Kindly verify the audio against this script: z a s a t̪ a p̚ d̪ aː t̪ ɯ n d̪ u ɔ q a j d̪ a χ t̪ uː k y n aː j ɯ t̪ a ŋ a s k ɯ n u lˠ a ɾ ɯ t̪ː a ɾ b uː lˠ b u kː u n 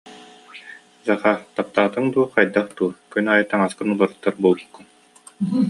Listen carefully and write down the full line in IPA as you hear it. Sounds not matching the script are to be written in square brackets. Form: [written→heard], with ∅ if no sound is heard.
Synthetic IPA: z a [s→χ] a t̪ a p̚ [d̪→t̪] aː t̪ ɯ [n→ŋ] d̪ u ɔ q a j d̪ a χ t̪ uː k y n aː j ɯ t̪ a ŋ a s k ɯ n u lˠ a ɾ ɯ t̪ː a ɾ b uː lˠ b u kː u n